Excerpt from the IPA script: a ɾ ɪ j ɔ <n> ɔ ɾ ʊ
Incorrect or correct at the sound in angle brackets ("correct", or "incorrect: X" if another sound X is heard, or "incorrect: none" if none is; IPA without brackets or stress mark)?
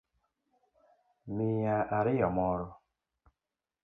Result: incorrect: m